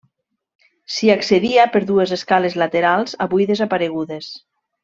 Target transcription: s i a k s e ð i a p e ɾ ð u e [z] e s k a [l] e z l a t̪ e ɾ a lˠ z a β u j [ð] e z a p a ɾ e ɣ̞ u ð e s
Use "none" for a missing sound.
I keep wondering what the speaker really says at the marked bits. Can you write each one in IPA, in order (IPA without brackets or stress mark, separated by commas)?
z, l, ð